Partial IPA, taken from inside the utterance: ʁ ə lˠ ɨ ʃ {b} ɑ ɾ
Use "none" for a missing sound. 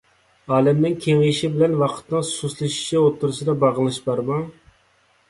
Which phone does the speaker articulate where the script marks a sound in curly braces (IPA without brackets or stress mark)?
b